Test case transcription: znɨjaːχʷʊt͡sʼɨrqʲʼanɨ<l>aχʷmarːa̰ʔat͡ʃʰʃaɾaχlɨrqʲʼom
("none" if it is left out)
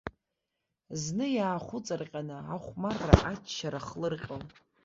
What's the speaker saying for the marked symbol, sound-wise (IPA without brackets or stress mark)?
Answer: none